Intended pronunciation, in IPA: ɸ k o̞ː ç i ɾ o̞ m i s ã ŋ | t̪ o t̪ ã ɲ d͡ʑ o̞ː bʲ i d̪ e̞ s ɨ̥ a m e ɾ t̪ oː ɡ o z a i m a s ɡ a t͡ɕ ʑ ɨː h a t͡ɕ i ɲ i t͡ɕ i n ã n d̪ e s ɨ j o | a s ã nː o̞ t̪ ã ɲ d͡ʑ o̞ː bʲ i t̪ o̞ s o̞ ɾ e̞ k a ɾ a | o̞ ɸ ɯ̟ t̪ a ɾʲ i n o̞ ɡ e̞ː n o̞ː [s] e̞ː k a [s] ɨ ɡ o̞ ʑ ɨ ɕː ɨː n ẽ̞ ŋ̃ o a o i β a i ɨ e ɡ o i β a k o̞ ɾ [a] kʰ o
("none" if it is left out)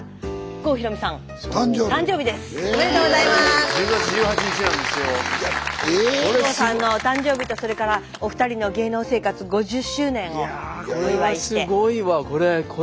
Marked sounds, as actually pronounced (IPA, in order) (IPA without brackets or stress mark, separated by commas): s, t͡s, e